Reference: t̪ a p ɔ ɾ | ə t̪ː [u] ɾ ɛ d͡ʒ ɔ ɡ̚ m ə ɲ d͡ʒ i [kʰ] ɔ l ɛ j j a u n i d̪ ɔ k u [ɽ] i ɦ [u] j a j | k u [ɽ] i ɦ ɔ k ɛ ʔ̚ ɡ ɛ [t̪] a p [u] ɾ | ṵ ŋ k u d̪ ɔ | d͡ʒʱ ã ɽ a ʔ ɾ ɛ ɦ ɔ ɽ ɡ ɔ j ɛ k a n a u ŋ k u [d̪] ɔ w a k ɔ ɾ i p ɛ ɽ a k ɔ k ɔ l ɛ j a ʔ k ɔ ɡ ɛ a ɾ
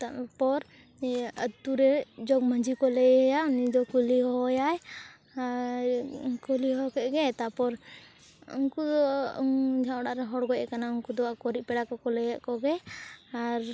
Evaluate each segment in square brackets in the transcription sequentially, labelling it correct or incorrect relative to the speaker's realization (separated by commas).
correct, incorrect, incorrect, incorrect, incorrect, correct, incorrect, correct